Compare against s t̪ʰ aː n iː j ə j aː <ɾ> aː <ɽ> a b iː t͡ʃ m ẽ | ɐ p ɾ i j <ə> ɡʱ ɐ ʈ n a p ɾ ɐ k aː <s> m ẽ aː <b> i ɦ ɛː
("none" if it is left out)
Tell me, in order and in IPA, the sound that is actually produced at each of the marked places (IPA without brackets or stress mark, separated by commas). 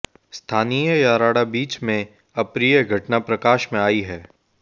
ɾ, ɽ, ə, ʃ, none